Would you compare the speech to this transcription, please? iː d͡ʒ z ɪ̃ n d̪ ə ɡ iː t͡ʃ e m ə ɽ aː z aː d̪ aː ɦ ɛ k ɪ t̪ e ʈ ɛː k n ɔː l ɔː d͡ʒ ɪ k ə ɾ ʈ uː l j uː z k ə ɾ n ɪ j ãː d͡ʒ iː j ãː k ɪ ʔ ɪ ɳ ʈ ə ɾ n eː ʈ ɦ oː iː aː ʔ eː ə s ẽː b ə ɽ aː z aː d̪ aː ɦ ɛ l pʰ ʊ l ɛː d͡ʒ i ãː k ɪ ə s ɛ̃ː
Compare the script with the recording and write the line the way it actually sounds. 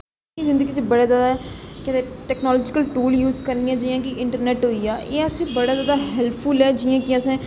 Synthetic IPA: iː z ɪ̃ n d̪ ə ɡ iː t͡ʃ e b ə ɽ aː z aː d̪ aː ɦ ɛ k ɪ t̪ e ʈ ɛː k n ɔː l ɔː d͡ʒ ɪ k ə l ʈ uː l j uː z k ə ɾ n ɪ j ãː d͡ʒ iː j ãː k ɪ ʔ ɪ ɳ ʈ ə ɾ n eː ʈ ɦ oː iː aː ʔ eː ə s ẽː b ə ɽ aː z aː d̪ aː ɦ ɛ l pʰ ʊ l ɛː d͡ʒ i ãː k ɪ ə s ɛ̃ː